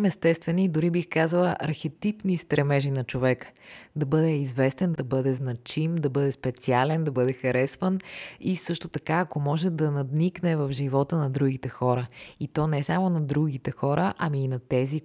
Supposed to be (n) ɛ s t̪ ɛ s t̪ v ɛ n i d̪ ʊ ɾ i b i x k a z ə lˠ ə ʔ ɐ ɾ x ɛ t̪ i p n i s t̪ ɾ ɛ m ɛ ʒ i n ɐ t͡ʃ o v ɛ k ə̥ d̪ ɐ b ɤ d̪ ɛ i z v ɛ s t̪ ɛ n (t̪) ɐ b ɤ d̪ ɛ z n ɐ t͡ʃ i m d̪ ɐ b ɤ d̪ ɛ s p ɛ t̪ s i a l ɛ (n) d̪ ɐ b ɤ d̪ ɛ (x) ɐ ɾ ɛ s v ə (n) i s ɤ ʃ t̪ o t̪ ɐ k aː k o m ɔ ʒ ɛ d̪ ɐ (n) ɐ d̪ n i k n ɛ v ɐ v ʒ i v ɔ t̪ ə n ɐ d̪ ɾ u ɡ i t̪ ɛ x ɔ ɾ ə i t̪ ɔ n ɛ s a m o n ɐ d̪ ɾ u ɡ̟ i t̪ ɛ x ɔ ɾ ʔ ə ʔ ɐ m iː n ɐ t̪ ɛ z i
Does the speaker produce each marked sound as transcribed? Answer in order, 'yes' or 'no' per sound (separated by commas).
no, no, yes, yes, yes, yes